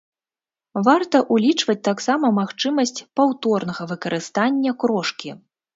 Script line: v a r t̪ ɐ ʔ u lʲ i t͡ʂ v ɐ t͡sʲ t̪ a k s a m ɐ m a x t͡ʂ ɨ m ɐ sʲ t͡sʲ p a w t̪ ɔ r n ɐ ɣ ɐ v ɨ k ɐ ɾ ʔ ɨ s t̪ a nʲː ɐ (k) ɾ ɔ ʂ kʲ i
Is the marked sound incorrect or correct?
correct